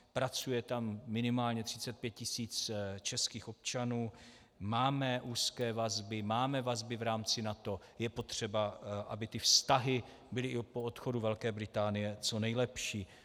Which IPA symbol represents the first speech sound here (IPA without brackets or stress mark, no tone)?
p